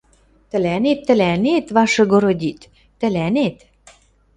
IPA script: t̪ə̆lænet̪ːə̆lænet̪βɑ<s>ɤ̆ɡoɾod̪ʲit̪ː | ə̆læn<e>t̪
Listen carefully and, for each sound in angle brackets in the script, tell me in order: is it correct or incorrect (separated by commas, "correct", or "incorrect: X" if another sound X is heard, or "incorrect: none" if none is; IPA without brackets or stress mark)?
incorrect: ʃ, correct